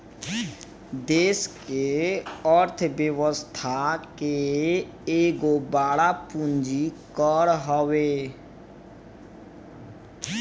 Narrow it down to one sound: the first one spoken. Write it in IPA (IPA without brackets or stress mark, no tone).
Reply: d̪